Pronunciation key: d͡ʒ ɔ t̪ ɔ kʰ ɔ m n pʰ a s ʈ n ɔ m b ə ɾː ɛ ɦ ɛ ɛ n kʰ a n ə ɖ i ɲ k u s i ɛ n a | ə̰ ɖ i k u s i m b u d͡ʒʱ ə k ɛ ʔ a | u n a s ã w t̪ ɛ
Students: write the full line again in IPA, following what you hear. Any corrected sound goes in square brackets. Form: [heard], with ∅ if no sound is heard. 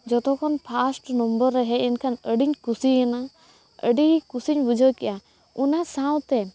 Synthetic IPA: d͡ʒ ɔ t̪ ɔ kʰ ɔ [∅] n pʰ a s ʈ n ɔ m b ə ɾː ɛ ɦ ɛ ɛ n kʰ a n ə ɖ i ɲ k u s i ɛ n a | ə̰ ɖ i k u s i [ɲ] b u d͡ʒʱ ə k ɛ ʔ a | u n a s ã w t̪ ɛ